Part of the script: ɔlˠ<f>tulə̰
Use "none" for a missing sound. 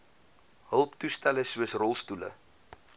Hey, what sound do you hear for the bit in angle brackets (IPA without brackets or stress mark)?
s